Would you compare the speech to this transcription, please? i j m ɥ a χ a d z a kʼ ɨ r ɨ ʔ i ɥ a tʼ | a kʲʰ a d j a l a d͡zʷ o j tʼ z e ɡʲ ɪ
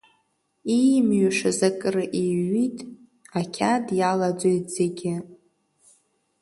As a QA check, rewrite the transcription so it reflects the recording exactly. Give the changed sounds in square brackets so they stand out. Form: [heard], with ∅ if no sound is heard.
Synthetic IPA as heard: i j m ɥ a [ʂ] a [∅] z a kʼ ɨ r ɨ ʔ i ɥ [i] tʼ | a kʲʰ a d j a l a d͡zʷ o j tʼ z e ɡʲ ɪ